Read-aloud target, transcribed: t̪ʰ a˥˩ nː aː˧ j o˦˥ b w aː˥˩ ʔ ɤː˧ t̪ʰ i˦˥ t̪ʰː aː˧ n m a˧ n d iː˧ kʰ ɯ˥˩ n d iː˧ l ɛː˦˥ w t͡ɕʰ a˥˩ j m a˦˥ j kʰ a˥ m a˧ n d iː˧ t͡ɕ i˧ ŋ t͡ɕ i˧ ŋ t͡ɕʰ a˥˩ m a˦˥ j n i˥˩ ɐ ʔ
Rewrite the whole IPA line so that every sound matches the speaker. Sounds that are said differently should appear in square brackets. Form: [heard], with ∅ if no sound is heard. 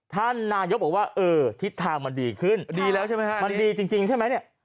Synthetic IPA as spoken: t̪ʰ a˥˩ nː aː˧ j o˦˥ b w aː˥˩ ʔ ɤː˧ t̪ʰ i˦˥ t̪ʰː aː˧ [ŋ] m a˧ n d iː˧ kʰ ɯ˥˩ n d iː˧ l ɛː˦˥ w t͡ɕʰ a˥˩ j m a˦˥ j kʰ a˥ m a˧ n d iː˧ t͡ɕ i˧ ŋ t͡ɕ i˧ ŋ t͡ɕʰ a˥˩ m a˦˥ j n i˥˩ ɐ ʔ